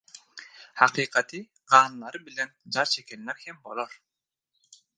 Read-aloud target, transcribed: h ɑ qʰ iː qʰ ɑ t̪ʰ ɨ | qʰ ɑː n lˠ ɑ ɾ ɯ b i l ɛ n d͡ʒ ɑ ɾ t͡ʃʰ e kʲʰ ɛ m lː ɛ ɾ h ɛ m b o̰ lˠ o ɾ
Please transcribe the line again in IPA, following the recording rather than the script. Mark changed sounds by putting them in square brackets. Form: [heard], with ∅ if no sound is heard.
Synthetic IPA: h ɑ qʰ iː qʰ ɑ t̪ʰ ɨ | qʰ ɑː n lˠ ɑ ɾ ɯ b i l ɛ n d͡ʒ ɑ ɾ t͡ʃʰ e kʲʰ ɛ [n] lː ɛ ɾ h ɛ m b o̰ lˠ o ɾ